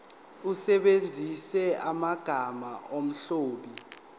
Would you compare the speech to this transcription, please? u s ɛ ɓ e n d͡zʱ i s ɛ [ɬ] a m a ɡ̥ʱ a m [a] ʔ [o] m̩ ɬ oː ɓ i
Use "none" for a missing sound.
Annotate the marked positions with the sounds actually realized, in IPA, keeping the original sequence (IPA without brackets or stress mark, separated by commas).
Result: none, a, o